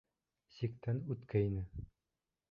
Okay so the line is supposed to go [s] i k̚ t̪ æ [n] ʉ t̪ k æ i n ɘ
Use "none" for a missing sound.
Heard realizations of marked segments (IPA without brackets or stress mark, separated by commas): s, n